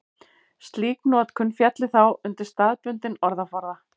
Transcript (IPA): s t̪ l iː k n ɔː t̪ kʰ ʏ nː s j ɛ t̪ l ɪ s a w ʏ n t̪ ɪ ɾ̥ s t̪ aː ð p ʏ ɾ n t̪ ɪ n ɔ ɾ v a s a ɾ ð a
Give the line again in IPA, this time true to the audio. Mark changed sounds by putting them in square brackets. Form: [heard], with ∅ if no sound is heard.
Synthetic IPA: s t̪ l iː k n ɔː t̪ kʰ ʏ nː [f] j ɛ t̪ l ɪ [θ] a w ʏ n t̪ ɪ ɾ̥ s t̪ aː ð p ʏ [∅] n t̪ ɪ n ɔ ɾ [ð] a [f] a ɾ ð a

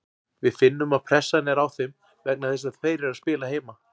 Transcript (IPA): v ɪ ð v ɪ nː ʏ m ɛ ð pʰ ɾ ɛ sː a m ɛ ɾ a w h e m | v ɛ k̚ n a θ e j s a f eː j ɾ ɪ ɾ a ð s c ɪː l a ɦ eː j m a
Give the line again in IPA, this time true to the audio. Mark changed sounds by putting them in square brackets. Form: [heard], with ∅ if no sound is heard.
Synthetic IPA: v ɪ ð [f] ɪ nː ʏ m [a] ð pʰ ɾ ɛ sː a [n] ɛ ɾ a w [θ] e m | v ɛ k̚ n a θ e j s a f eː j ɾ ɪ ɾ a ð s [p] ɪː l a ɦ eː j m a

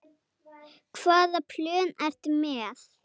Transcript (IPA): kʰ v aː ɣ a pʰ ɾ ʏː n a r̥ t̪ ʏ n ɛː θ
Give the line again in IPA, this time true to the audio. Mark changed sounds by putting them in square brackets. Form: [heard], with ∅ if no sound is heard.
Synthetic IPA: kʰ v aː [ð] a pʰ [l] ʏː n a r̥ t̪ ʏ [m] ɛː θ

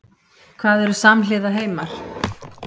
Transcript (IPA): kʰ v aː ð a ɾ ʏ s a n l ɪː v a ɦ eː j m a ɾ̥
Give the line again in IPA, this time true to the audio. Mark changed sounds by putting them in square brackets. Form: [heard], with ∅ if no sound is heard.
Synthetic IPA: kʰ v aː ð [ɛ] ɾ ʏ s a [m] l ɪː [ð] a ɦ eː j m a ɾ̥

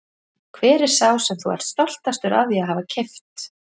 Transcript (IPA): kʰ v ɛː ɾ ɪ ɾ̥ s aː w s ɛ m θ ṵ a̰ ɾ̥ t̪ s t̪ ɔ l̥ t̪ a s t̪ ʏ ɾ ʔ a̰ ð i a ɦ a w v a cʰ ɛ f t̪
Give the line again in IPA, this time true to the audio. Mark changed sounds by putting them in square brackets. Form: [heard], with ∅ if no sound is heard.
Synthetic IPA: kʰ v ɛː ɾ ɪ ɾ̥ s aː w s ɛ m θ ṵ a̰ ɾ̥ t̪ s t̪ ɔ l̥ t̪ a s t̪ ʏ ɾ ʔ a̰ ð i a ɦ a [∅] v a cʰ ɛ f t̪

